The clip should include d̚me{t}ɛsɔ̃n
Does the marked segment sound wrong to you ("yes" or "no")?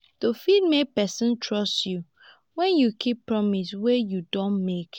yes